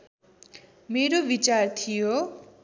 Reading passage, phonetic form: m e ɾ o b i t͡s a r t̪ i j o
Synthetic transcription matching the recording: m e ɾ o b i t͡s a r t̪ʰ i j o